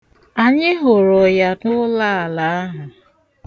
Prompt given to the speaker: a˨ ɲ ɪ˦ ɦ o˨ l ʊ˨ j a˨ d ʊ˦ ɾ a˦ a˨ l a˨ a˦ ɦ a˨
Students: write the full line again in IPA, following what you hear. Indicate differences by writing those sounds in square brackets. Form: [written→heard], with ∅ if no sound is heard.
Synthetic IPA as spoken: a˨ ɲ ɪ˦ ɦ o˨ [l→ɾ] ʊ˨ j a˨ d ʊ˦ [ɾ→l] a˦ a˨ l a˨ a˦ ɦ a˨